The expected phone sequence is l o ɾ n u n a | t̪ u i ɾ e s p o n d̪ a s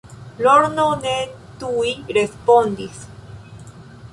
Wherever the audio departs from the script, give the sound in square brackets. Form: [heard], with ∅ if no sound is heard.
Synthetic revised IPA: l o ɾ n [o] n [e] | t̪ u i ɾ e s p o n d̪ [i] s